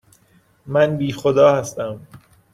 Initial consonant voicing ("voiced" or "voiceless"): voiced